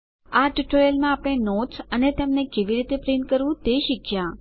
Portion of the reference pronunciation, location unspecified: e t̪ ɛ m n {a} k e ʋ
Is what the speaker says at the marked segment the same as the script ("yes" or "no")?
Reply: no